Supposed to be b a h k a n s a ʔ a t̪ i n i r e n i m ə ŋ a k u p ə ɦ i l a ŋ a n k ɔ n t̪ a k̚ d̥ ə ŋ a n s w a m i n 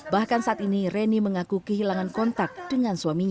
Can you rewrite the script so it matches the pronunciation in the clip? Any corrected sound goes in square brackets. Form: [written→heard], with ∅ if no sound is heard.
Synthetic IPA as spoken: b a h k a n s a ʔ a t̪ i n i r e n i m ə ŋ a k u [p→k] ə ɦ i l a ŋ a n k ɔ n t̪ a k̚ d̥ ə ŋ a n s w a m i [n→ɲ]